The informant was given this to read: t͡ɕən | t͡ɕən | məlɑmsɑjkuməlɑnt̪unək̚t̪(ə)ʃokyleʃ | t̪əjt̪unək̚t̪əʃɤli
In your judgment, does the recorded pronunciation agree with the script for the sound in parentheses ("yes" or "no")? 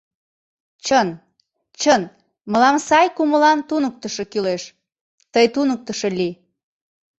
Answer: yes